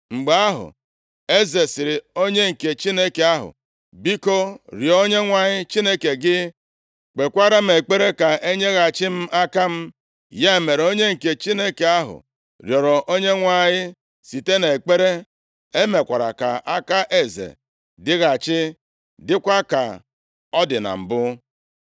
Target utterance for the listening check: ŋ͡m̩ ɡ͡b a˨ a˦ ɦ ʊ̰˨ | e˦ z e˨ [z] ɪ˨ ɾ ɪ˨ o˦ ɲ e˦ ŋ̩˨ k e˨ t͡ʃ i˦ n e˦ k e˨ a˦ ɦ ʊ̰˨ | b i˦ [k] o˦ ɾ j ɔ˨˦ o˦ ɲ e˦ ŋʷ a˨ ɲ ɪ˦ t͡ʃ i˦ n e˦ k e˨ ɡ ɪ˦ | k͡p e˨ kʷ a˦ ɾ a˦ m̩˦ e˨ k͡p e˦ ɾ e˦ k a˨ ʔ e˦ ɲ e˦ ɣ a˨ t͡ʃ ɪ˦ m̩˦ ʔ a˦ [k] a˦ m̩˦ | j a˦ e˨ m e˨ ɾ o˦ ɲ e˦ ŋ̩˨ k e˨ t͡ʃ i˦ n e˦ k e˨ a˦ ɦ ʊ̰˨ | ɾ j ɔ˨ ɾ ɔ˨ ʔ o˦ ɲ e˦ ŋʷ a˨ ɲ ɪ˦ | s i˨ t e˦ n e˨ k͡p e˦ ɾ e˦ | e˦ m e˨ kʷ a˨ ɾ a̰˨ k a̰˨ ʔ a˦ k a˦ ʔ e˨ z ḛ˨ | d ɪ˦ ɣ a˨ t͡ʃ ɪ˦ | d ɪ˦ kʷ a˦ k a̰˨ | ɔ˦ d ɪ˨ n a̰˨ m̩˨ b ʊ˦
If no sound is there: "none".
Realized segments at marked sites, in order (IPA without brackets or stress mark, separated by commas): s, k, k